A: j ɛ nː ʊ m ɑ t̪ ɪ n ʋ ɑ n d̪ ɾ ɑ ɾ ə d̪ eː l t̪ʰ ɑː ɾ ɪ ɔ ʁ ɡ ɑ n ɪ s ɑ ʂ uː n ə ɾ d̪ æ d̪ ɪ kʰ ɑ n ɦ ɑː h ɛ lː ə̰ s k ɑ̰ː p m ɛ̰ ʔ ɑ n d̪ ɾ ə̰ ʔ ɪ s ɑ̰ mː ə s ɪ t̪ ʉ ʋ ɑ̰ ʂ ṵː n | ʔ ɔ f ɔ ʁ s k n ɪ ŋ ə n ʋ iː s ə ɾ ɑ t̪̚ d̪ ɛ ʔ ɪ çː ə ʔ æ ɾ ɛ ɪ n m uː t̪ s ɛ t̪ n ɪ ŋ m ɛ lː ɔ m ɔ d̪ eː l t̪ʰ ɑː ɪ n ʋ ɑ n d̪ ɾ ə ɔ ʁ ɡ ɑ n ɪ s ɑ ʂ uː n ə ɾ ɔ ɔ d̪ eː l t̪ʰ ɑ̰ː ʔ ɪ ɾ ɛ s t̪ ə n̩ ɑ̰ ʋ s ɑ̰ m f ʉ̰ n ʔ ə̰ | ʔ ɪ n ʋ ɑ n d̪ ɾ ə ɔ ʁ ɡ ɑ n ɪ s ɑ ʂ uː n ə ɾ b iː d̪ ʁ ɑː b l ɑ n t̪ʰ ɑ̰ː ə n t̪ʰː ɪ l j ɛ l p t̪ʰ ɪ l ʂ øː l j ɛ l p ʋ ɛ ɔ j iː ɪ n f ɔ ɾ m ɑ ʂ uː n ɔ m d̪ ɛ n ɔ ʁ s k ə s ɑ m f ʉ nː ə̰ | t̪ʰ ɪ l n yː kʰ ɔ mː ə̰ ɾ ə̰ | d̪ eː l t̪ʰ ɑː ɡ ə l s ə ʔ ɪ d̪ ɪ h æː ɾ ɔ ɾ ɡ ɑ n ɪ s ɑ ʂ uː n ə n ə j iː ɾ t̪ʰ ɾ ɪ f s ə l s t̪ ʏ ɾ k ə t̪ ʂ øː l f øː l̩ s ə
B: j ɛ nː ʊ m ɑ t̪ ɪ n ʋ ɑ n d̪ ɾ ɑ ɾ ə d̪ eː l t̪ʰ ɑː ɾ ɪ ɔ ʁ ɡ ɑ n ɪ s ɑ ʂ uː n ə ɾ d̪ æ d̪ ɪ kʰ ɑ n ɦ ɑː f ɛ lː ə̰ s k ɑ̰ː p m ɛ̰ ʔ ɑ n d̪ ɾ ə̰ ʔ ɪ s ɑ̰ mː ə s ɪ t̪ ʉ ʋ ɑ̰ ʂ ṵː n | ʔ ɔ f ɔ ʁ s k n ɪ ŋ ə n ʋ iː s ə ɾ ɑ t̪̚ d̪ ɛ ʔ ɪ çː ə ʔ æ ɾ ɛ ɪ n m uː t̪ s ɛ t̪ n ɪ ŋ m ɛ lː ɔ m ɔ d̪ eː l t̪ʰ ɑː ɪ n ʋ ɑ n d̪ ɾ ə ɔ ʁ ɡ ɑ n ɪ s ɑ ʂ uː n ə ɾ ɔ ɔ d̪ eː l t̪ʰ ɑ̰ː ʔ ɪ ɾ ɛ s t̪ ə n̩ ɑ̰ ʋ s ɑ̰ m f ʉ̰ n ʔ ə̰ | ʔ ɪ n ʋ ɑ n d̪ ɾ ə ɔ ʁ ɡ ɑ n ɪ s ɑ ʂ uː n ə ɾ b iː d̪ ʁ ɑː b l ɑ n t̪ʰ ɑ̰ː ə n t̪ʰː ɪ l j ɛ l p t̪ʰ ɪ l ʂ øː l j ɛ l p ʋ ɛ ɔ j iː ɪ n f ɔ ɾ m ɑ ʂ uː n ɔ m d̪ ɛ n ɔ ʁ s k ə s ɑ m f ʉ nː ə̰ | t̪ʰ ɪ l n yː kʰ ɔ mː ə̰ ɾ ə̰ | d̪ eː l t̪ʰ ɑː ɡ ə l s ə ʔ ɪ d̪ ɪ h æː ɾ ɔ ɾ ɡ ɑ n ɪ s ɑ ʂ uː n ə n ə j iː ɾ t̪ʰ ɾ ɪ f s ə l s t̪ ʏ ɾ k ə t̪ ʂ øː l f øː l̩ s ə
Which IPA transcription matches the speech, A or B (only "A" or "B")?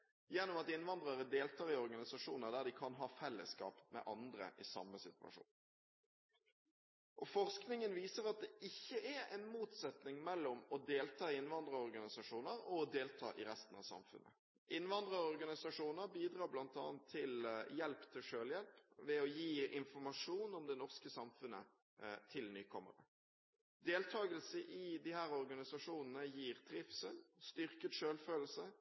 B